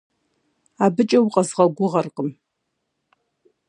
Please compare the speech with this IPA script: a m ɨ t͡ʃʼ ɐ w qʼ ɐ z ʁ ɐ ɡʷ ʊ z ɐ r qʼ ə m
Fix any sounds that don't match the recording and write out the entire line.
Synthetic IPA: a b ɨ t͡ʃʼ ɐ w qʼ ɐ z ʁ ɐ ɡʷ ʊ ʁ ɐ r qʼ ə m